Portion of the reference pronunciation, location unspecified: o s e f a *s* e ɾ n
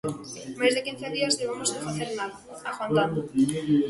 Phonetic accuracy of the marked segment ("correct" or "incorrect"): incorrect